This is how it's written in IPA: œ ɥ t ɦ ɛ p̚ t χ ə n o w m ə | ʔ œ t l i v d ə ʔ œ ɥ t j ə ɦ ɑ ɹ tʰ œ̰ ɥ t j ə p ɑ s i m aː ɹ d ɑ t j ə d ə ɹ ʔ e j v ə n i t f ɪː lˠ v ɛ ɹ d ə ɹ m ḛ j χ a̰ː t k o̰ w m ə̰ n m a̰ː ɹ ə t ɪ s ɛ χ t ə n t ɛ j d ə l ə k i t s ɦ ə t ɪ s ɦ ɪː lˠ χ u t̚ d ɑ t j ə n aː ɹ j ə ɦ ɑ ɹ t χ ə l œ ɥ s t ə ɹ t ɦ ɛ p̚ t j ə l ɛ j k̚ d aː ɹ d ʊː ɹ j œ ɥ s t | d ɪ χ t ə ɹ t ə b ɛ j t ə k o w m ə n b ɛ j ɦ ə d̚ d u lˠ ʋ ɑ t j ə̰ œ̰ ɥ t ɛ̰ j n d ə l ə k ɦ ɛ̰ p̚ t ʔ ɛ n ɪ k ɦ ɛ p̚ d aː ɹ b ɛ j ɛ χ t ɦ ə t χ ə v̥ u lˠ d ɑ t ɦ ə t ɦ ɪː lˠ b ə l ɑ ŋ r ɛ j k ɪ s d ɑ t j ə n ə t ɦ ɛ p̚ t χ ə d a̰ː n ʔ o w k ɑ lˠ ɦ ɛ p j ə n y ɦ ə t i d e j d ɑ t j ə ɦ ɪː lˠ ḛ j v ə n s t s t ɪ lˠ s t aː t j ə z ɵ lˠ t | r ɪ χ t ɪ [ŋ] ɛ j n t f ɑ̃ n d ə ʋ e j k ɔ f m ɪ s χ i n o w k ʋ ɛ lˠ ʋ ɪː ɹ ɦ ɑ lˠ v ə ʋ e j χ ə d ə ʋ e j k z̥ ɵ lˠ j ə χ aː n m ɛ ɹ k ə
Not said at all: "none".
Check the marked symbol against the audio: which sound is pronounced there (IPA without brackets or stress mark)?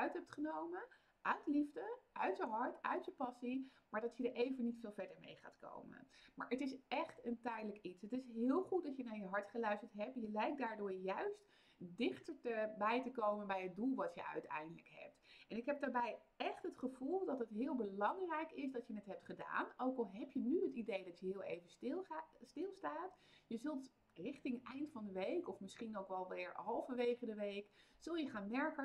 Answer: ŋ